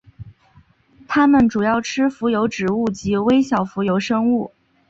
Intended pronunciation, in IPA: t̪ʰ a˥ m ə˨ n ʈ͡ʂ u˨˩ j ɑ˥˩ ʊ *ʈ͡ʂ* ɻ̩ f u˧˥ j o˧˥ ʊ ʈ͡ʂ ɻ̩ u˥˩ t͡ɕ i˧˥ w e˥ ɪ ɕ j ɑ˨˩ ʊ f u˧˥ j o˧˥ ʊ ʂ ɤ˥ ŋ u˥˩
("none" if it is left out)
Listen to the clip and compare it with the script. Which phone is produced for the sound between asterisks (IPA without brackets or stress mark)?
ʈ͡ʂʰ